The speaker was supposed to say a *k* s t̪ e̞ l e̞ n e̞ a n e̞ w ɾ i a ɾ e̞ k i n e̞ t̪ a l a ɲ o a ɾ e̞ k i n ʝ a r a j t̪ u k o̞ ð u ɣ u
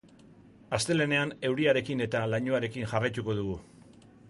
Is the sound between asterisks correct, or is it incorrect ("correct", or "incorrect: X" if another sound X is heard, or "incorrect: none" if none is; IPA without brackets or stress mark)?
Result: incorrect: none